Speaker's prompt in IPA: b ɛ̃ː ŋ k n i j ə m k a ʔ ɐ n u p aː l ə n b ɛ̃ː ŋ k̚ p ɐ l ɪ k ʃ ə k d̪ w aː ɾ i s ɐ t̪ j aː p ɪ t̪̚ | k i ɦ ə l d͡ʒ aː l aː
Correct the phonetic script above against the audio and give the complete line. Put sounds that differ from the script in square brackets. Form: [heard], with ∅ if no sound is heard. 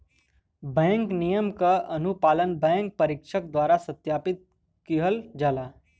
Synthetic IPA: b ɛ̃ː ŋ k n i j ə m k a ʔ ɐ n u p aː l ə n b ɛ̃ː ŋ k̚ p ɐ [ɾ] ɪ k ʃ ə k d̪ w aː ɾ [a] s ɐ t̪ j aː p ɪ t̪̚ | k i ɦ ə l d͡ʒ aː l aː